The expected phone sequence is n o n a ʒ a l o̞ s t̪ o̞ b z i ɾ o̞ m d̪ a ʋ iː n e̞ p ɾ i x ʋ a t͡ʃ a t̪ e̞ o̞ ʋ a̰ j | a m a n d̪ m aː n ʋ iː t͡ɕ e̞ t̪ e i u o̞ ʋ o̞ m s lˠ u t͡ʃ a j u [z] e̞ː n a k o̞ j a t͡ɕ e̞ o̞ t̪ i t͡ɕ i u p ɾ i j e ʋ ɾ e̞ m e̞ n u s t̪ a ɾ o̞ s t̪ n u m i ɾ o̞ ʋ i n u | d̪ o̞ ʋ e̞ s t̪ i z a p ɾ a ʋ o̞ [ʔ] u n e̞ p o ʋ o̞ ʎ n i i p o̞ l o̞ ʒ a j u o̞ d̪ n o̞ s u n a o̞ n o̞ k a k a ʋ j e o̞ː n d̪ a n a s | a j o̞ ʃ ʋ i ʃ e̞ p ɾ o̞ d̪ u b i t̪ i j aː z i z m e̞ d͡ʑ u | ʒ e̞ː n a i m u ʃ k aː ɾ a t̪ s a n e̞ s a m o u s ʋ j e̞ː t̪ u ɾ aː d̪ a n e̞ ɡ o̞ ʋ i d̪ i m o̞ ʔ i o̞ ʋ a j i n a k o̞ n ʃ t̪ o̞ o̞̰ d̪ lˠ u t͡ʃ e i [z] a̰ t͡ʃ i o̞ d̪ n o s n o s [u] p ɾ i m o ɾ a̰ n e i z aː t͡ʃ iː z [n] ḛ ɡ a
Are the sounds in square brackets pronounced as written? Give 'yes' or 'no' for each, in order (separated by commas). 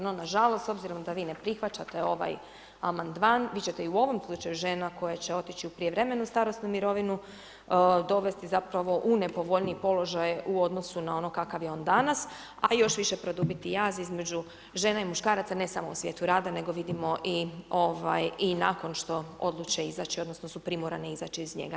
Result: no, yes, yes, yes, no